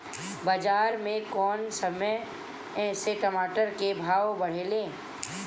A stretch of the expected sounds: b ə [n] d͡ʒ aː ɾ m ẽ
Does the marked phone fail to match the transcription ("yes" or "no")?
yes